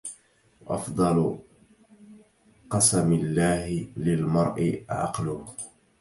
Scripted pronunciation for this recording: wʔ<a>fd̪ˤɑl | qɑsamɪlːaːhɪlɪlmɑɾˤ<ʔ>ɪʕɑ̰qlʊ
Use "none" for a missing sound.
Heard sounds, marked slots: ɑ, ʔ

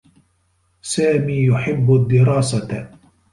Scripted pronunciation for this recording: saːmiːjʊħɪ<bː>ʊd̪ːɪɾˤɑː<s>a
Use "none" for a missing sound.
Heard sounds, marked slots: bː, s

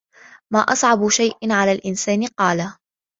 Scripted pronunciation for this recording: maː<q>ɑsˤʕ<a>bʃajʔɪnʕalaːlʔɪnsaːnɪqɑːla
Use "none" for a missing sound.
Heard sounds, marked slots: ʔ, ɑ

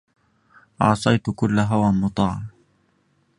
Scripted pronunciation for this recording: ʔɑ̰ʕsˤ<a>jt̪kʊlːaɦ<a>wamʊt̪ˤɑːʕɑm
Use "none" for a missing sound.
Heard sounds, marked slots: ɑ, a

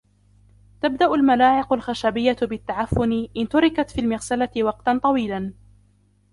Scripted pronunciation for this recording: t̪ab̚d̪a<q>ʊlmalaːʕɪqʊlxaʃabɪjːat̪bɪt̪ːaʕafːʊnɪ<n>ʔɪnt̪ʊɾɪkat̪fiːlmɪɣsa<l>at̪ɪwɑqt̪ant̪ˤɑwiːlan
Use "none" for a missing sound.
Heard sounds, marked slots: ʔ, none, l

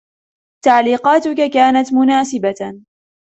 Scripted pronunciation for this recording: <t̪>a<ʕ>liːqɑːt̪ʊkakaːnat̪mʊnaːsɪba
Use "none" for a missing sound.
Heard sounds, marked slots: t̪, ʕ

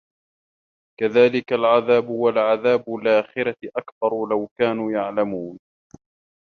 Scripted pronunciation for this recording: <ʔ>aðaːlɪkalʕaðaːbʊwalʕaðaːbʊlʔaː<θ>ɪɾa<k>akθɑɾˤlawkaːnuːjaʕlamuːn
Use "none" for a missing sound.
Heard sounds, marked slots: k, x, ʔ

